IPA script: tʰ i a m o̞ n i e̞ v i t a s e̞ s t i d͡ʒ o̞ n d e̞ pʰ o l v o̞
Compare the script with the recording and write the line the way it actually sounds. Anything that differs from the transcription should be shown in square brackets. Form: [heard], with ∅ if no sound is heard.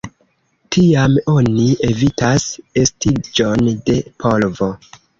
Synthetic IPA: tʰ i a m o̞ n i e̞ v i t a s e̞ s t i d͡ʒ o̞ n d e̞ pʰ o l v o̞